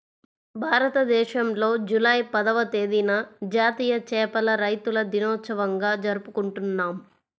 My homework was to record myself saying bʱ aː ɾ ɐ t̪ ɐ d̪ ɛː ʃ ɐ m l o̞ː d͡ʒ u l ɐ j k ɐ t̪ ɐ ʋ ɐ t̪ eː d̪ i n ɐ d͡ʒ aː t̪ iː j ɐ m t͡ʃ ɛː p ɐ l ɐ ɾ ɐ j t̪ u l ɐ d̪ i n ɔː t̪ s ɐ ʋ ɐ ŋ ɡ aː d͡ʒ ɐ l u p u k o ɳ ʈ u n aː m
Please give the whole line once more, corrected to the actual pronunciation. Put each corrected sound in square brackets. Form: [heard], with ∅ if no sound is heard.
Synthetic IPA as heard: bʱ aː ɾ ɐ t̪ ɐ d̪ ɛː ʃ ɐ m l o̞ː d͡ʒ u l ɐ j [p] ɐ [d̪] ɐ ʋ ɐ t̪ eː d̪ i n ɐ d͡ʒ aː t̪ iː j ɐ [∅] t͡ʃ ɛː p ɐ l ɐ ɾ ɐ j t̪ u l ɐ d̪ i n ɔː t̪ s ɐ ʋ ɐ ŋ ɡ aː d͡ʒ ɐ [ɾ] u p u k [u] ɳ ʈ u [nː] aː m